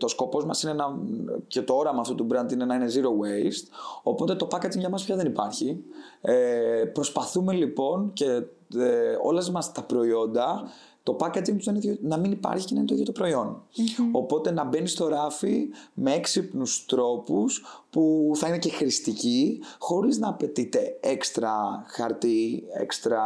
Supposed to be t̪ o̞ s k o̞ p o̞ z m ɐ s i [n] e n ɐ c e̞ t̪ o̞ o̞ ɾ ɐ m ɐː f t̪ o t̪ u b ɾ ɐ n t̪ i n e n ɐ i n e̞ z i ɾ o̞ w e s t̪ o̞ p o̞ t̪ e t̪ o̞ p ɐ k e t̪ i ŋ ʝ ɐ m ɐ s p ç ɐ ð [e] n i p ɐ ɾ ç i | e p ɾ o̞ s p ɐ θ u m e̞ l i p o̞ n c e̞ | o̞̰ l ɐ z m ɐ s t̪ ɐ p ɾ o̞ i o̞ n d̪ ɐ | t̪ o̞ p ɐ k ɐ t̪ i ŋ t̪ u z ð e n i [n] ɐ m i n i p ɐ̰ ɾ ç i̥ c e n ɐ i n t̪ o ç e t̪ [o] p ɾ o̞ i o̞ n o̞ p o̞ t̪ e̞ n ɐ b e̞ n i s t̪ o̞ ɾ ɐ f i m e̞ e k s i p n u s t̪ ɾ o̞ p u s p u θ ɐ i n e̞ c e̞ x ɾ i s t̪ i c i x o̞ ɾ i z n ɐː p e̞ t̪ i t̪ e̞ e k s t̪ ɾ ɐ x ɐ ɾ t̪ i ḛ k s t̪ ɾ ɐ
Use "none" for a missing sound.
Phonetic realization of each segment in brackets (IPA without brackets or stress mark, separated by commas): n, e, n, o